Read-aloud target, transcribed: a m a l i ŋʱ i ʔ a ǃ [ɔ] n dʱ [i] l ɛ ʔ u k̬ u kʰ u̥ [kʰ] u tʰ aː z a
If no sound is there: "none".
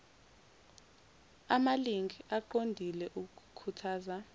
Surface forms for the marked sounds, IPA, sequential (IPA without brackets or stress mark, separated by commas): o, i, kʰ